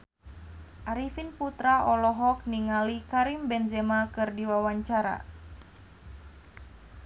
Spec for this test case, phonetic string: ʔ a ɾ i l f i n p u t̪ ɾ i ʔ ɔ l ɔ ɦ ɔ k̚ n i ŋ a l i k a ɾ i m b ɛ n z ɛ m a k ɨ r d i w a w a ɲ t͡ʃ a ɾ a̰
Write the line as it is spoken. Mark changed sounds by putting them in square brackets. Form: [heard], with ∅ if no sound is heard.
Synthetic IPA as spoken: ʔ a ɾ i [∅] f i n p u t̪ ɾ [a] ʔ ɔ l ɔ ɦ ɔ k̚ n i ŋ a l i k a ɾ i m b ɛ n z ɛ m a k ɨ r d i w a w a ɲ t͡ʃ a ɾ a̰